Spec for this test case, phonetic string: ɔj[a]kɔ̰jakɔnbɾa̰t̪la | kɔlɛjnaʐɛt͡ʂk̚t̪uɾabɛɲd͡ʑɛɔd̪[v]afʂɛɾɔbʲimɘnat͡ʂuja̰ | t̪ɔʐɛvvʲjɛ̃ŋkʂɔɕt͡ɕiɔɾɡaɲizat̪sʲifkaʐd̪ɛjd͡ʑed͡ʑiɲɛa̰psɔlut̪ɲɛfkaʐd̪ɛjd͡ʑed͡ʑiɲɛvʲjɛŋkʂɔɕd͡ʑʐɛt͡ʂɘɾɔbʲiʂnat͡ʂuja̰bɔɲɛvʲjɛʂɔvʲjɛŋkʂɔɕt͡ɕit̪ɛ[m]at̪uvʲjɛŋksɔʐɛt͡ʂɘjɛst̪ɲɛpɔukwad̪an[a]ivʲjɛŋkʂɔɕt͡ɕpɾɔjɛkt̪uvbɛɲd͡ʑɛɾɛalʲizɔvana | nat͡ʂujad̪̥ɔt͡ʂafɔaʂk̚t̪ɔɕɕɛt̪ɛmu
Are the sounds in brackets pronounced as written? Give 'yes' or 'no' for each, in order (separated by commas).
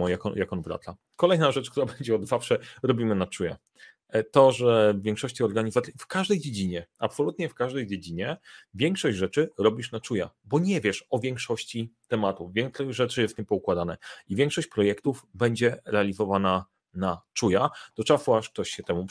yes, no, yes, no